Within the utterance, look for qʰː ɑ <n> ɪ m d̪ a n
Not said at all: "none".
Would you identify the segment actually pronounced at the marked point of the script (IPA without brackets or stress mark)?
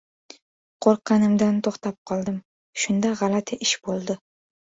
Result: n